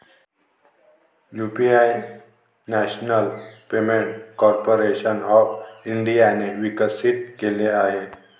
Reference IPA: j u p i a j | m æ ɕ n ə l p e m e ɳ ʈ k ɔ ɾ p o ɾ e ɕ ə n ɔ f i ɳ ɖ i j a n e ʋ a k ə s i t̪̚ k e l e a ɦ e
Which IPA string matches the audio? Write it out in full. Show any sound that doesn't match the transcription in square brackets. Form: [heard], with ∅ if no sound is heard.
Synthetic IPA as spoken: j u p i a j | [n] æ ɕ n ə l p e m e ɳ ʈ k ɔ ɾ p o ɾ e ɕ ə n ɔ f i ɳ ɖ i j a n e ʋ [i] k ə s i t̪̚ k e l e a ɦ e